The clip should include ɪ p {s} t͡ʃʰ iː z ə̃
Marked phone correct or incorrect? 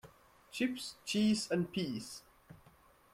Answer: correct